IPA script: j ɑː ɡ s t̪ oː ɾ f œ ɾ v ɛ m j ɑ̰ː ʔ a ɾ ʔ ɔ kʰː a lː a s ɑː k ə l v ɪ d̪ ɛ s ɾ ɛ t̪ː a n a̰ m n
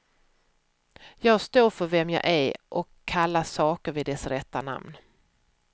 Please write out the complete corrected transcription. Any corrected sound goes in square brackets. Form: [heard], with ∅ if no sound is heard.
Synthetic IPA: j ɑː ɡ s t̪ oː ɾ f œ ɾ v ɛ m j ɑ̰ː ʔ [æ] ɾ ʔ ɔ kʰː a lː a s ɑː k ə [ɾ] v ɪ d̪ ɛ s ɾ ɛ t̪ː a n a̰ m n